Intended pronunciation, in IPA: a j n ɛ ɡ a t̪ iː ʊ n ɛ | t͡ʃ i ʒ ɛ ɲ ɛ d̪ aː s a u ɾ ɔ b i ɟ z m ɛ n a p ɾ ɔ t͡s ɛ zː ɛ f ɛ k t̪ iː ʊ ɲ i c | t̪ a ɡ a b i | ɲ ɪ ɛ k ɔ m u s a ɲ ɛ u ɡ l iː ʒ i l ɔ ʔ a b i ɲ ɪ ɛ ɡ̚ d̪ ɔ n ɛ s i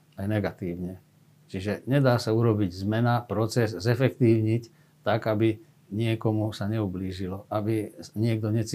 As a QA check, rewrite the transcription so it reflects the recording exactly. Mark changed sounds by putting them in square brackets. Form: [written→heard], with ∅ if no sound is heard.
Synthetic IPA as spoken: a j n ɛ ɡ a t̪ iː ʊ [n→ɲ] ɛ | t͡ʃ i ʒ ɛ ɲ ɛ d̪ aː s a u ɾ ɔ b i ɟ z m ɛ n a p ɾ ɔ t͡s ɛ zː ɛ f ɛ k t̪ iː ʊ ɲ i c | t̪ a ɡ a b i | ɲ ɪ ɛ k ɔ m u s a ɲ ɛ u [ɡ→b] l iː ʒ i l ɔ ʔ a b i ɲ ɪ ɛ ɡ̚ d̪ ɔ [n→ɲ] ɛ [s→t͡s] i